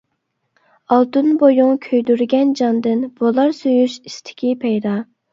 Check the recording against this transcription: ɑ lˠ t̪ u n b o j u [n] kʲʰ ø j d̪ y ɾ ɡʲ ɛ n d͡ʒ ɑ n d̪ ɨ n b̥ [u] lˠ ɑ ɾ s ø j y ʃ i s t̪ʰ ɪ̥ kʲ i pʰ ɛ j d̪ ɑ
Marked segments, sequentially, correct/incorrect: incorrect: ŋ, incorrect: o

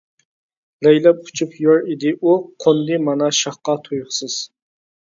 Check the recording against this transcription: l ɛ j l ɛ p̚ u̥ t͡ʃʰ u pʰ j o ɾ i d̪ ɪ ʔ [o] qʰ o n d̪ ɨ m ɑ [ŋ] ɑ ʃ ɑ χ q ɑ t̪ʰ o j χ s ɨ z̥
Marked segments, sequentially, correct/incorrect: incorrect: u, incorrect: n

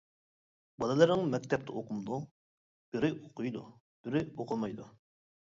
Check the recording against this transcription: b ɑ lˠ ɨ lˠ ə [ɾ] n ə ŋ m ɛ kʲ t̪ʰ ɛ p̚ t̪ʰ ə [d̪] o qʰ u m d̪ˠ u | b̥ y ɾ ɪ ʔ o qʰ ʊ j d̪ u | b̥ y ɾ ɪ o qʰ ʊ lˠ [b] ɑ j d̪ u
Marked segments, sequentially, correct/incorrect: correct, incorrect: none, incorrect: m

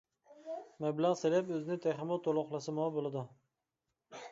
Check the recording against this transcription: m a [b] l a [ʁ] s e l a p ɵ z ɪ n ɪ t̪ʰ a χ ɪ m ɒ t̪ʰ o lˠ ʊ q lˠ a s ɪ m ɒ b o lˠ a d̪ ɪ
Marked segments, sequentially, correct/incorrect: correct, correct

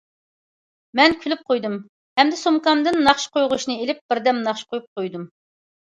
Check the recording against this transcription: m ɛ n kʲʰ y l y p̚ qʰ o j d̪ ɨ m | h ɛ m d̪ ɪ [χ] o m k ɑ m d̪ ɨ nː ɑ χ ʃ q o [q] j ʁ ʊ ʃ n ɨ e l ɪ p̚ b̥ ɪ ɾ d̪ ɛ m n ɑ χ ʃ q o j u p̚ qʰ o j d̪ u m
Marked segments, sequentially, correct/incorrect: incorrect: s, incorrect: none

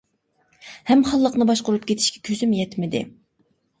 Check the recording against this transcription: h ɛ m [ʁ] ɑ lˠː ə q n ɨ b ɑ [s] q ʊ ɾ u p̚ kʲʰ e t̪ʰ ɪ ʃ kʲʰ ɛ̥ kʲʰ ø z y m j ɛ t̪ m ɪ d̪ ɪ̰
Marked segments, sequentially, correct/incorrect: incorrect: χ, incorrect: ʃ

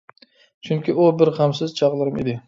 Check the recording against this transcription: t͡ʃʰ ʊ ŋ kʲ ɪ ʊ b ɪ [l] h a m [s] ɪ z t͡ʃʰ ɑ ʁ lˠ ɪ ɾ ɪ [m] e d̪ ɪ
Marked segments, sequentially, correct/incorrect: incorrect: ɾ, correct, correct

